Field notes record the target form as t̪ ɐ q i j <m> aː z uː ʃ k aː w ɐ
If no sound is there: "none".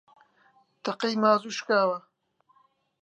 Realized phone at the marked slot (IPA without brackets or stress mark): m